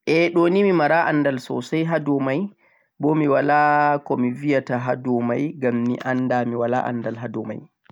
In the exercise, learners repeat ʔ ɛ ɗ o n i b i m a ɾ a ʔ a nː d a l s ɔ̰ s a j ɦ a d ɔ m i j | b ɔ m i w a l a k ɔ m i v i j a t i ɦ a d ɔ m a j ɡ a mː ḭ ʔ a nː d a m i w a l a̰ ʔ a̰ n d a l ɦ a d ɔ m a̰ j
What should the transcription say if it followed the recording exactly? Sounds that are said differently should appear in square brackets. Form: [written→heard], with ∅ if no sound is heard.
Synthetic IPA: ʔ ɛ ɗ o n i [b→m] i m a ɾ a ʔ a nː d a l s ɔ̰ s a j ɦ a d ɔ m [i→a] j | b ɔ m i w a l a k ɔ m i v i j a t [i→a] ɦ a d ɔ m a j ɡ a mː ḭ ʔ a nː d a m i w a l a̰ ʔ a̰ n d a l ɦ a d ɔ m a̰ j